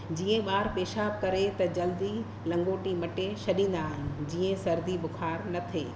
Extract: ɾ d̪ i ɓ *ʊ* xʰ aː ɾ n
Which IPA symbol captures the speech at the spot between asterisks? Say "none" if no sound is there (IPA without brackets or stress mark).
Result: ʊ